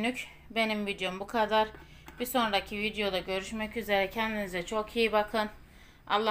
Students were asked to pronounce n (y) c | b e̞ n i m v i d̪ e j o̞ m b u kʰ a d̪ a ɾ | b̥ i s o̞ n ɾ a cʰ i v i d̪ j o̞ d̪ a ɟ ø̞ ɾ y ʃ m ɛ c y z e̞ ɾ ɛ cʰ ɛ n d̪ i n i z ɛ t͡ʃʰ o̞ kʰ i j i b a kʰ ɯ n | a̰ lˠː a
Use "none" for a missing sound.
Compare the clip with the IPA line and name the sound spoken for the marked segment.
y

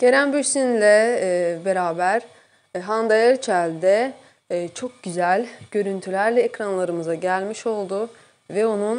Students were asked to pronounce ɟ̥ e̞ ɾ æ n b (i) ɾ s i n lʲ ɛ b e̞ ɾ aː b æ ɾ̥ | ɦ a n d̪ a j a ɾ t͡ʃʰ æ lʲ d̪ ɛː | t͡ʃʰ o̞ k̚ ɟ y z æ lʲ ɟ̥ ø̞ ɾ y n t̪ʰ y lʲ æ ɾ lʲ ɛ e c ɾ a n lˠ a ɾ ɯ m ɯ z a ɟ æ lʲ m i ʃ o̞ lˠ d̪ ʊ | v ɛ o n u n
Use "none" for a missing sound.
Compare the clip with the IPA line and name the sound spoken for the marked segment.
y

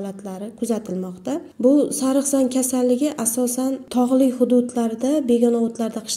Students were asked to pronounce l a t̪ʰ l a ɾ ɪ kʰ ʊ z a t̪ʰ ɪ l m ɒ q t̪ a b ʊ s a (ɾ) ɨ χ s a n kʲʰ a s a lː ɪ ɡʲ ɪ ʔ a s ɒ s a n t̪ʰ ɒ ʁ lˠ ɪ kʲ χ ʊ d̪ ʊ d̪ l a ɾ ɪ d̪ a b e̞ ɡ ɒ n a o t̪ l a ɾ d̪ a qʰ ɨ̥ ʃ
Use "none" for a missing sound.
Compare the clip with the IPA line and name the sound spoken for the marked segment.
ɾ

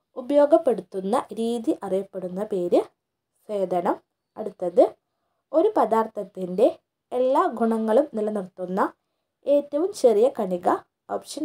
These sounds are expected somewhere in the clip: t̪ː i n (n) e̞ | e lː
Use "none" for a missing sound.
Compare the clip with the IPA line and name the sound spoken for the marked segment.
d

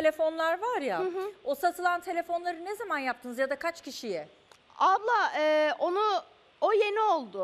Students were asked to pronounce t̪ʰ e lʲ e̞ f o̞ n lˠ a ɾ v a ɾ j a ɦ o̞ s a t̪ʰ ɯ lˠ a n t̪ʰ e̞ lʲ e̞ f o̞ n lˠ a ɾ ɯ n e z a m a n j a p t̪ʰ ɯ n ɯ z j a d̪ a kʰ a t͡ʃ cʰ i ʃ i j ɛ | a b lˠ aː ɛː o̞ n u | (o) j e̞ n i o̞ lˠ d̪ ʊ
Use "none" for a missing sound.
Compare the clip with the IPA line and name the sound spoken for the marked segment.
o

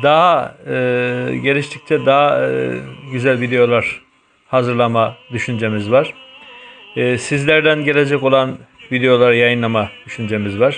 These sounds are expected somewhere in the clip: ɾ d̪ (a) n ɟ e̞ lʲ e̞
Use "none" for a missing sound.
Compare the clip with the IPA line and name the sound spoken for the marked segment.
æ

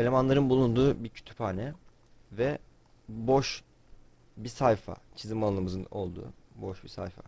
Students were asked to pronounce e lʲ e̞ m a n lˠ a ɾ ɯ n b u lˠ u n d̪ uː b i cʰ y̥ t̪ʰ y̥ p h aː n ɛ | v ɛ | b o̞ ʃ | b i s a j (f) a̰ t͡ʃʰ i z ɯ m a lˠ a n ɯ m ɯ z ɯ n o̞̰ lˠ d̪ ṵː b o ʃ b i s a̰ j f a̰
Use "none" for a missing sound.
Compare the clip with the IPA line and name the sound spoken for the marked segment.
f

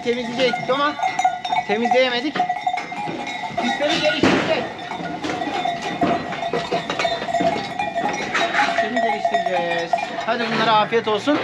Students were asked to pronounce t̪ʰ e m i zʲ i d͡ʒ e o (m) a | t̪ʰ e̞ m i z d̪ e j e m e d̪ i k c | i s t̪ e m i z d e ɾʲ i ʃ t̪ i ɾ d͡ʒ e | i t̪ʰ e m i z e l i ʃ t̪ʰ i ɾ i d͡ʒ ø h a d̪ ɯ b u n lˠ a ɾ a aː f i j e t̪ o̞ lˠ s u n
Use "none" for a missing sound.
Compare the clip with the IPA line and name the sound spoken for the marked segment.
m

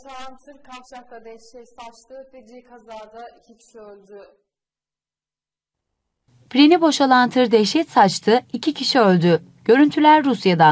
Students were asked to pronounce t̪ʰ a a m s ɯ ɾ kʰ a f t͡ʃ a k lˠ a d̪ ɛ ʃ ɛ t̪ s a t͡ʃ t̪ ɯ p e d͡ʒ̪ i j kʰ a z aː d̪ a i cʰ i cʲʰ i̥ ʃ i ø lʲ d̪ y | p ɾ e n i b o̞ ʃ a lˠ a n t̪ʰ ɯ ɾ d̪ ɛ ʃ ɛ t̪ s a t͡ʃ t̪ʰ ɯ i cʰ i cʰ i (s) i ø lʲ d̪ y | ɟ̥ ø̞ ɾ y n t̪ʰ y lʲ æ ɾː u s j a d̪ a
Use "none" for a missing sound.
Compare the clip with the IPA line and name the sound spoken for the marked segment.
ʃ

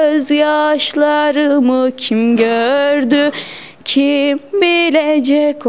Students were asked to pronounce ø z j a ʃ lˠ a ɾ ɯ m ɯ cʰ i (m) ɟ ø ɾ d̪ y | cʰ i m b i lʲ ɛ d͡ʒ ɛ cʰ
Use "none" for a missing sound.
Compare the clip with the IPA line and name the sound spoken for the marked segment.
m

